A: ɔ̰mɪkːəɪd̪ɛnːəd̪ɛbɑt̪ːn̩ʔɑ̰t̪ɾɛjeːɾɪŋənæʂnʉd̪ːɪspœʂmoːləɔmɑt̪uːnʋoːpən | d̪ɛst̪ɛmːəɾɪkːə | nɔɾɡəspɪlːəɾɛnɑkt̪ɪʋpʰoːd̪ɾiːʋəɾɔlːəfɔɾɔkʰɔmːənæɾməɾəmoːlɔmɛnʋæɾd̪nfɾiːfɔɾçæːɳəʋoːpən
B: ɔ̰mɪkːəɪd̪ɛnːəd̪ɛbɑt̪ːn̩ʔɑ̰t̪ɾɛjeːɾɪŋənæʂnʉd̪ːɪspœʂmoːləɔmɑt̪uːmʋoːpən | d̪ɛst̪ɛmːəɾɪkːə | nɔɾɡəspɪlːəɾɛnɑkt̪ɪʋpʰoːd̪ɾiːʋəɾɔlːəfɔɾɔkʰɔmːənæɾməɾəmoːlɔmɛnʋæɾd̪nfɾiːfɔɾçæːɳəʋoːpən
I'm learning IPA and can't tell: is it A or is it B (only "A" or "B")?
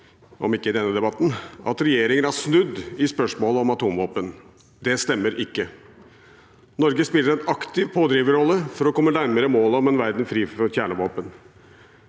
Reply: B